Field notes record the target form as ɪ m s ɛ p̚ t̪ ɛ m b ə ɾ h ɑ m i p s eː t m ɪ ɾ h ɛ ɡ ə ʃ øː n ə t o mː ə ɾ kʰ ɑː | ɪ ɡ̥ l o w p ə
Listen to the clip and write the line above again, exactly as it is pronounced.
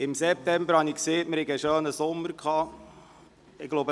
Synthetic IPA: ɪ m s ɛ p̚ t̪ ɛ m b ə ɾ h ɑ n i k s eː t m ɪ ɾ h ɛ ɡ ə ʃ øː n ə s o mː ə ɾ kʰ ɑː | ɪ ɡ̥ l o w b ə